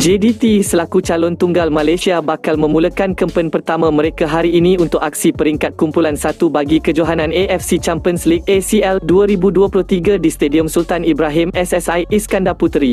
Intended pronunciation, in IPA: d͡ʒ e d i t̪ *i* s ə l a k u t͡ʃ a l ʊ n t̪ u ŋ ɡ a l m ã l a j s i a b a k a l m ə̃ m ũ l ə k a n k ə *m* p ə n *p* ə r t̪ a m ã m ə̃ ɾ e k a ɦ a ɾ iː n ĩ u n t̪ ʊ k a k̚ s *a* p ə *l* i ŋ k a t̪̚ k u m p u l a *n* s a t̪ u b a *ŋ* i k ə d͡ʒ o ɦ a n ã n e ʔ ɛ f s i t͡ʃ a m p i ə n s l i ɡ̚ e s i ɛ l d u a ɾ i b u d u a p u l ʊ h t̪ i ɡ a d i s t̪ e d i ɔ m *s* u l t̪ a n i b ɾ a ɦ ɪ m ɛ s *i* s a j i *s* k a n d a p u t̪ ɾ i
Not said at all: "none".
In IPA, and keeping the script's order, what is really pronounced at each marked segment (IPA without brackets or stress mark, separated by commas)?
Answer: i, m, p, i, ɾ, n, ɡ, s, ɛ, s